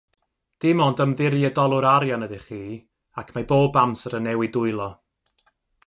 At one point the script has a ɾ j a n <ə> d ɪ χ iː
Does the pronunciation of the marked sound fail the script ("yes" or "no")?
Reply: no